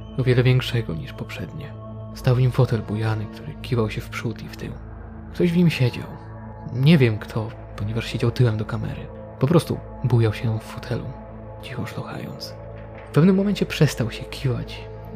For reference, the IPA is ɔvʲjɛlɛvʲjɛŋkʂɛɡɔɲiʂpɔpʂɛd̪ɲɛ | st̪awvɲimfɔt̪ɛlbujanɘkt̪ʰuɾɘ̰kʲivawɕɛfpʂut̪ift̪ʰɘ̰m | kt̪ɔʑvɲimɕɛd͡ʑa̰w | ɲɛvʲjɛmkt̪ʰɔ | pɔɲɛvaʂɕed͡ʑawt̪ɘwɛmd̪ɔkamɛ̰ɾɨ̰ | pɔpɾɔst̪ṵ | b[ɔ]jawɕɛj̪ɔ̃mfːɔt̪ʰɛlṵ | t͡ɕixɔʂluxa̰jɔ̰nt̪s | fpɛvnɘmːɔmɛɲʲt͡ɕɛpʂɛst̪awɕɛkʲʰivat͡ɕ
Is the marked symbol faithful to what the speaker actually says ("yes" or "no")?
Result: no